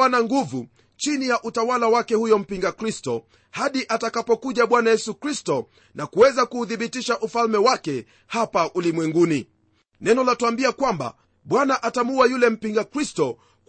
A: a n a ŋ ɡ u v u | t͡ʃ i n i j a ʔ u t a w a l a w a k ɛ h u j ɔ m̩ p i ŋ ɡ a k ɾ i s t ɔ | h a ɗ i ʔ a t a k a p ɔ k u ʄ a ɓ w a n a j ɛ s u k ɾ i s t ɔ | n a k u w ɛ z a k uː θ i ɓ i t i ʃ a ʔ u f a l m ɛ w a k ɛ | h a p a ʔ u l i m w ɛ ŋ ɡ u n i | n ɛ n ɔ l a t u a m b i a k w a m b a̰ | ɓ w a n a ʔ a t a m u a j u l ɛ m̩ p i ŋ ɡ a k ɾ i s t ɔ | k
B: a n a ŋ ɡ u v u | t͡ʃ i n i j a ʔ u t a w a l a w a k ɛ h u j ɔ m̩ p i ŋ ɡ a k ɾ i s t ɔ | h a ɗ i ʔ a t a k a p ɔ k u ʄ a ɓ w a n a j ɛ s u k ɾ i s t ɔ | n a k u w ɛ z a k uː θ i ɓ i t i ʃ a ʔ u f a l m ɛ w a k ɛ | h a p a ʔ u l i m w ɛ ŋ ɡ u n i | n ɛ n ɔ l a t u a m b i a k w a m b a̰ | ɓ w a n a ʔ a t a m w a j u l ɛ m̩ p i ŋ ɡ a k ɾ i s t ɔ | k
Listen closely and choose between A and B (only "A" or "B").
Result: A